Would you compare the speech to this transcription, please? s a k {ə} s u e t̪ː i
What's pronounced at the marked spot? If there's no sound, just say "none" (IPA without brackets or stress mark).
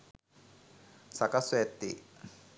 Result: a